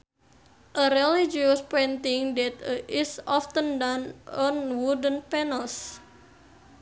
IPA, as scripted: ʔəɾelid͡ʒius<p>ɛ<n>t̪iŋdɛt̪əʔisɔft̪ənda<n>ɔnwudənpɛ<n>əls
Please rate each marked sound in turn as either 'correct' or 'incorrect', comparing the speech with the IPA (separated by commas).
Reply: correct, correct, correct, correct